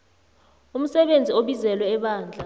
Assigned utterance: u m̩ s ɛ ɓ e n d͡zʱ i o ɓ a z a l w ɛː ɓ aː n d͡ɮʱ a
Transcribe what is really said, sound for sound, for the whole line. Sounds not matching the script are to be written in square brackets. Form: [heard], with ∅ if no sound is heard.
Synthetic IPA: u m̩ s ɛ ɓ e n d͡zʱ i o ɓ [i] z [ɛ] l w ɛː ɓ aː n d͡ɮʱ a